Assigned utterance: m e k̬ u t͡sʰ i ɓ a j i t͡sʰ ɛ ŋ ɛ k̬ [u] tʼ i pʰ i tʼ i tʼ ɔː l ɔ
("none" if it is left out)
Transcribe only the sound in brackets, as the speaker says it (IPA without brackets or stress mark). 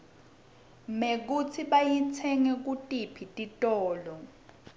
u